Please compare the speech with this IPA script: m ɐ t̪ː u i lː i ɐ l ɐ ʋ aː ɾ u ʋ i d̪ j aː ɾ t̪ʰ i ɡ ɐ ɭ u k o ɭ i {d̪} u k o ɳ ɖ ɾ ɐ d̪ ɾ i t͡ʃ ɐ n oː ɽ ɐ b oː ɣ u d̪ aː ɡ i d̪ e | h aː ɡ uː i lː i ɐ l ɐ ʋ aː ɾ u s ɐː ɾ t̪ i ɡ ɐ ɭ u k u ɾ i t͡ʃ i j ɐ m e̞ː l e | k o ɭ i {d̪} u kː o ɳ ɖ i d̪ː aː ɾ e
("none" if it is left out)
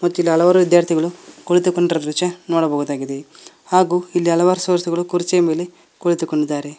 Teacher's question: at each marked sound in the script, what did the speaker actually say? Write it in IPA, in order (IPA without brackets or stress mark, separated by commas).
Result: t̪, t̪